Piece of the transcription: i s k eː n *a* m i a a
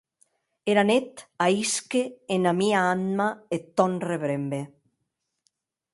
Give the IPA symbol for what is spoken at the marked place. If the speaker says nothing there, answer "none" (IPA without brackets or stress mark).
a